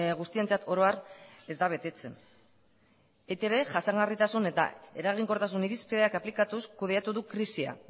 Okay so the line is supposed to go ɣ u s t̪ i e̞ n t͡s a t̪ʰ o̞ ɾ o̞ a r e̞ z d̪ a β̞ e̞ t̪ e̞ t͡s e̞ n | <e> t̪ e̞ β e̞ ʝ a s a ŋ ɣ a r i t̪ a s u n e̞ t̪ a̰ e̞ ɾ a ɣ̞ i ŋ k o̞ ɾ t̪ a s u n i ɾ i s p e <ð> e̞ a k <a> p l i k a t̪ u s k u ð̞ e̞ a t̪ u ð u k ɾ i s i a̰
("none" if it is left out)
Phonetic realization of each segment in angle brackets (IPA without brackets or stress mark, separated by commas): e, ð, a